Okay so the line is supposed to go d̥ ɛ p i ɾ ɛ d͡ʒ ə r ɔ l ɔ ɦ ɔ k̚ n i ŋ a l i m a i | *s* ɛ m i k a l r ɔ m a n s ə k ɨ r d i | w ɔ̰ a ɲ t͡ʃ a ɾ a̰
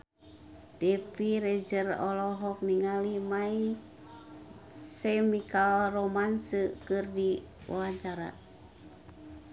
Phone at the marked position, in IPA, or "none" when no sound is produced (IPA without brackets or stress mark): s